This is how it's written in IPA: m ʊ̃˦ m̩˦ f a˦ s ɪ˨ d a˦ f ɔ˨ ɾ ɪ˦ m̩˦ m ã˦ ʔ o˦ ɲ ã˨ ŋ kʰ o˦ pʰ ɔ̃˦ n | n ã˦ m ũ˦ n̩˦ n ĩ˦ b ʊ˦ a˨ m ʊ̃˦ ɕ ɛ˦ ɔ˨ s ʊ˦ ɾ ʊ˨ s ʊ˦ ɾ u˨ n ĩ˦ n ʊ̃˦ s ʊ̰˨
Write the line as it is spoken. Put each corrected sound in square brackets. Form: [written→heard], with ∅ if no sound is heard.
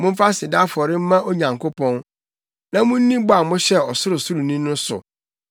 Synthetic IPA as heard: m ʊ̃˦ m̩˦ f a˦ s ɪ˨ d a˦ f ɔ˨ ɾ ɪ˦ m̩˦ m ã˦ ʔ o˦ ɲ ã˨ ŋ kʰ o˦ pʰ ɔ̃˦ n | n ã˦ m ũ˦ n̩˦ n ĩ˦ b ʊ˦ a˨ m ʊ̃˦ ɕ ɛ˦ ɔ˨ s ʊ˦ ɾ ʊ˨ s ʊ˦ ɾ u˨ n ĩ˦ n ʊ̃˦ s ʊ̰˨